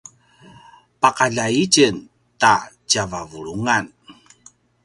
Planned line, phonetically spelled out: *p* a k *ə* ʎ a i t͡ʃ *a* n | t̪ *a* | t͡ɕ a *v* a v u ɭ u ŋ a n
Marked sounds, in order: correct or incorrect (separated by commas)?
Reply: correct, incorrect, incorrect, correct, correct